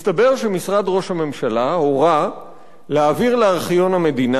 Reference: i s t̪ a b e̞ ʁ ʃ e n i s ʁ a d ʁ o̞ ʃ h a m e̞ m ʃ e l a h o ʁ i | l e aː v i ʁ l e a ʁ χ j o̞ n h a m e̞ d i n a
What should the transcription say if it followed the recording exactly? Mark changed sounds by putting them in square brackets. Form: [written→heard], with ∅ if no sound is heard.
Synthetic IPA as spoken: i s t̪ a b e̞ ʁ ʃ e [n→m] i s ʁ a d ʁ o̞ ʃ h a m e̞ m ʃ [e→a] l a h o ʁ [i→a] | l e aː v i ʁ l e a ʁ χ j o̞ n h a m e̞ d i n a